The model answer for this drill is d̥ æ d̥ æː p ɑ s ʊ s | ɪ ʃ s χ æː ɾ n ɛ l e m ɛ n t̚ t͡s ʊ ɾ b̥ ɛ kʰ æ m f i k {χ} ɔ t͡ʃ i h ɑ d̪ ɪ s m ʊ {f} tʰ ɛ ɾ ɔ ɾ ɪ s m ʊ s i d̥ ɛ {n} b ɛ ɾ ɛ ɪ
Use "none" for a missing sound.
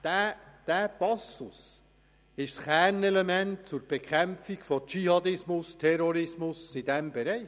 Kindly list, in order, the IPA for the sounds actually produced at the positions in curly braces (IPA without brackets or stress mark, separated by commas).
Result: f, s, m